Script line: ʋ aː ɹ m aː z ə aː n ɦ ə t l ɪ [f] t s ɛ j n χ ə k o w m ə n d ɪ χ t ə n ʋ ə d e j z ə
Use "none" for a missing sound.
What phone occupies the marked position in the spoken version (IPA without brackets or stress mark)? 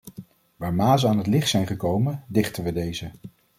χ